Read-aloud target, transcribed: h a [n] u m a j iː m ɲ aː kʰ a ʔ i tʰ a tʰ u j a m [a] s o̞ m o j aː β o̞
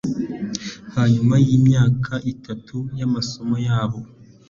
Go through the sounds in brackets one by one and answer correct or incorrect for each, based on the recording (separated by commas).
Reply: incorrect, correct